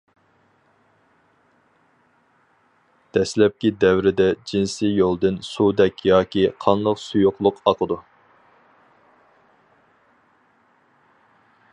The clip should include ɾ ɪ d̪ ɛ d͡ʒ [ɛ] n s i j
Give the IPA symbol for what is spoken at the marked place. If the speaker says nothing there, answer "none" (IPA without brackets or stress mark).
i